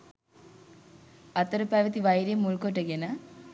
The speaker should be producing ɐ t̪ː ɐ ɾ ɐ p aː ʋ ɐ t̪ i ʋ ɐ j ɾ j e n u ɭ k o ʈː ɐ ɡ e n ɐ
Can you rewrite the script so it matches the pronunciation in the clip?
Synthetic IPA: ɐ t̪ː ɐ ɾ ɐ p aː ʋ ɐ t̪ i ʋ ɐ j ɾ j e m u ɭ k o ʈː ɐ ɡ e n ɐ